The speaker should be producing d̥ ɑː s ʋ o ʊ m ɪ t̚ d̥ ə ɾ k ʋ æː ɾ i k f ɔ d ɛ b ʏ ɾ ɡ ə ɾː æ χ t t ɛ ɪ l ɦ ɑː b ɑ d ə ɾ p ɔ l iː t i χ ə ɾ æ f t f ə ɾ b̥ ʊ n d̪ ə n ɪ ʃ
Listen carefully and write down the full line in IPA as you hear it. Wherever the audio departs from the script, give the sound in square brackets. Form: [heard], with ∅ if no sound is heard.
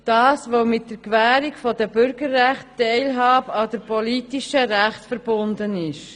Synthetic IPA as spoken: d̥ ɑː s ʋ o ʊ m ɪ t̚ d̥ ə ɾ k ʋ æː ɾ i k f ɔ d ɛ b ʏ ɾ ɡ ə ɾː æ χ t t ɛ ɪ l ɦ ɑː b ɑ d ə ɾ p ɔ l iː t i [ʃ] ə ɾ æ [χ] t f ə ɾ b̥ ʊ n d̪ ə n ɪ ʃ

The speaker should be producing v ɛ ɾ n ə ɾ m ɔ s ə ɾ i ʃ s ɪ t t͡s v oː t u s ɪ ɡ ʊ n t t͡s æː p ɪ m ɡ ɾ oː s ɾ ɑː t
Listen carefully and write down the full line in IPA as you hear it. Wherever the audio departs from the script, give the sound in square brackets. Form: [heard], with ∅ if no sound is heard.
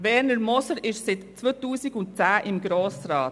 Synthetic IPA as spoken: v ɛ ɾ n ə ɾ m ɔ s ə ɾ [ɪ] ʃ s ɪ t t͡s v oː t [uː] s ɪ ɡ ʊ n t t͡s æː [ʔ] ɪ m ɡ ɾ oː s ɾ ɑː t

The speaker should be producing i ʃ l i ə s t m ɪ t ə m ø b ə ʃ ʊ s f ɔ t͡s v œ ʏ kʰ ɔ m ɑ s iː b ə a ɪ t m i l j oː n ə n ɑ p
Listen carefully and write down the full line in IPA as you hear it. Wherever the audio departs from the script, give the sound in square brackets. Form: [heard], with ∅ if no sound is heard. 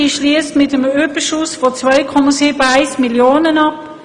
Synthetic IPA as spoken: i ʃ l i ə s t m ɪ t ə m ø b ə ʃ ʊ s f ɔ t͡s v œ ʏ kʰ ɔ m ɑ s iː b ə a ɪ [s] m i l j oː n ə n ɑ p

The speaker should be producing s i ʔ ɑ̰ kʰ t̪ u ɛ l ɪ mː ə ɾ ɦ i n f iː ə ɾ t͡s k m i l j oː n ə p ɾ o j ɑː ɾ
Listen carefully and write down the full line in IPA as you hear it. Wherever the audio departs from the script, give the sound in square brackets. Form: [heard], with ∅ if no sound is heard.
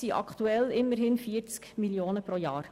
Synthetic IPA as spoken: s i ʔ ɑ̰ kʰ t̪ u ɛ l ɪ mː ə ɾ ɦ [ɪ] n f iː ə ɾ t͡s k m i l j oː n ə p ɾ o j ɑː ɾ

